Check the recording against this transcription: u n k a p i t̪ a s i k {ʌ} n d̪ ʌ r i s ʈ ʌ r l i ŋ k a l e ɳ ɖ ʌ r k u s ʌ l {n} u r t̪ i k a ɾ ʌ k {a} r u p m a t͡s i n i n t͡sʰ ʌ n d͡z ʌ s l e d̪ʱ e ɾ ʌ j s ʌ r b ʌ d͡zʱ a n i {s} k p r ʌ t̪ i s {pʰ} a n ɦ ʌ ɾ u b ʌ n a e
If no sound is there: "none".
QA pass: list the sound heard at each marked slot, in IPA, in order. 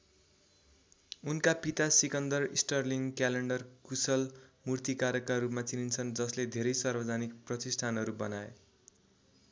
ʌ, m, a, none, ʈʰ

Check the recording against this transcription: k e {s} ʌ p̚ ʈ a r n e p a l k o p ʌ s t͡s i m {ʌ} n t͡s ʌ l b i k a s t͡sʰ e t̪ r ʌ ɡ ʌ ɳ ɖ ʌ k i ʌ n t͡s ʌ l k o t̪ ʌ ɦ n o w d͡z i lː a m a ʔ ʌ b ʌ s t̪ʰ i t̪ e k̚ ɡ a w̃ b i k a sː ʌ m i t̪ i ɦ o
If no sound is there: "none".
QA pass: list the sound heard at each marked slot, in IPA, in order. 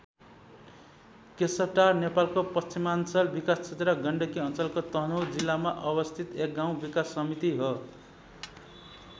s, a

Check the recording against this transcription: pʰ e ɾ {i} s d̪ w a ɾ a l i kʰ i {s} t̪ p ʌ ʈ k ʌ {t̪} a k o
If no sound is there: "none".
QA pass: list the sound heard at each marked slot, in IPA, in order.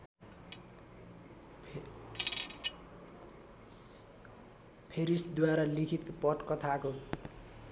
i, none, t̪ʰ

